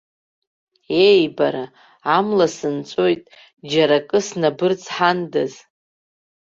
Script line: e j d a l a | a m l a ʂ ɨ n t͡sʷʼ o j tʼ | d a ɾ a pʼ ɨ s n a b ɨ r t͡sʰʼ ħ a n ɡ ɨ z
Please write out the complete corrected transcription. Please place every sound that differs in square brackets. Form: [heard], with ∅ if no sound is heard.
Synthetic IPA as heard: e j [b] a [ɾ] a | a m l a [s] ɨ n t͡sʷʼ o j tʼ | [d͡ʒ] a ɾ a [kʼ] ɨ s n a b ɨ r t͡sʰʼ ħ a n [d] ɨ z